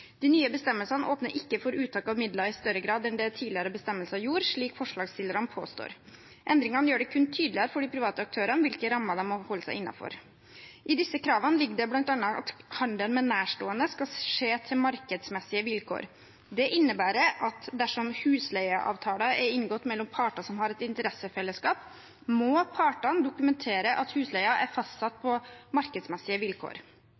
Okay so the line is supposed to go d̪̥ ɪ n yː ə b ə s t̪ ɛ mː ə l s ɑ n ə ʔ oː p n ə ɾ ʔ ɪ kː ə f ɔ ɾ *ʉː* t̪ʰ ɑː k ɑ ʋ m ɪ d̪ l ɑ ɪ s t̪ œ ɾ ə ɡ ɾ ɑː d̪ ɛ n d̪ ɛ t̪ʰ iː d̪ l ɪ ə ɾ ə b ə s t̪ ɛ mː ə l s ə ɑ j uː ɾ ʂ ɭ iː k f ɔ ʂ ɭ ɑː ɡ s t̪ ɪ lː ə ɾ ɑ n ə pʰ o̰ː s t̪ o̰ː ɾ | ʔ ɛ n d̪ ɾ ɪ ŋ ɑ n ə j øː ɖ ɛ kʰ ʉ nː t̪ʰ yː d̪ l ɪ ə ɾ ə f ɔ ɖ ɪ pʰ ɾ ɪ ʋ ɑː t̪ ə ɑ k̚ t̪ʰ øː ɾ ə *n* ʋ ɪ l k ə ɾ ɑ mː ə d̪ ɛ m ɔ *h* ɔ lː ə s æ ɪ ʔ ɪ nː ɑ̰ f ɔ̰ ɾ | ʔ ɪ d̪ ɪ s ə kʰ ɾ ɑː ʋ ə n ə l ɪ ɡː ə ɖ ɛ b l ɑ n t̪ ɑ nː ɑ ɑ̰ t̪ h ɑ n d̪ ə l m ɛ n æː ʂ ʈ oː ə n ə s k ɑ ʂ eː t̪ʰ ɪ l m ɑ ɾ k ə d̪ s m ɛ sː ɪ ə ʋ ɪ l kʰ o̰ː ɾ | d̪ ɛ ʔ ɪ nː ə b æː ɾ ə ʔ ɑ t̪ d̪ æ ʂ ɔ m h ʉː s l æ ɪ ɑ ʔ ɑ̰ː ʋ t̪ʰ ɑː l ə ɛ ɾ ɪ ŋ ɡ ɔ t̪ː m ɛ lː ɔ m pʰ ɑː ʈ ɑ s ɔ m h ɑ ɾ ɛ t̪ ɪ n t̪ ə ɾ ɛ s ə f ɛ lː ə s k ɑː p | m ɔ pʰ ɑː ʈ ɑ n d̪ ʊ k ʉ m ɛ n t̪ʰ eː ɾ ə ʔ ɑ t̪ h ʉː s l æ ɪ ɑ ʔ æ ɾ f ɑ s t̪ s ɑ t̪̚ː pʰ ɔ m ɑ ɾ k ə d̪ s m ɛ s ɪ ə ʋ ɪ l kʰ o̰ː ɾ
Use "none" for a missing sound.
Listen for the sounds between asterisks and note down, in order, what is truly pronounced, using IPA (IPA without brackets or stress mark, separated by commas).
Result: ʉː, n, h